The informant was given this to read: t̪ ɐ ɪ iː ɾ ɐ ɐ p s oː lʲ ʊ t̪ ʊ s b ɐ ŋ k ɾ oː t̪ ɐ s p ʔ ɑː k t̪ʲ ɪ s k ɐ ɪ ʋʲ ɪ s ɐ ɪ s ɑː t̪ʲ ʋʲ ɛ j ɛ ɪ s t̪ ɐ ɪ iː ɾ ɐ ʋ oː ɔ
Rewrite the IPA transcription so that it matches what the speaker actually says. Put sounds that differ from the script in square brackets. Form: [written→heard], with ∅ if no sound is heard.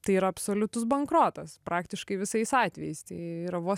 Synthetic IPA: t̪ ɐ ɪ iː ɾ ɐ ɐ p s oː lʲ ʊ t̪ ʊ s b ɐ ŋ k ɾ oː t̪ ɐ s p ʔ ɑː k t̪ʲ ɪ [s→ʃ] k ɐ ɪ ʋʲ ɪ s ɐ ɪ s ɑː t̪ʲ ʋʲ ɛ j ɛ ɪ s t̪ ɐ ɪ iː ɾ ɐ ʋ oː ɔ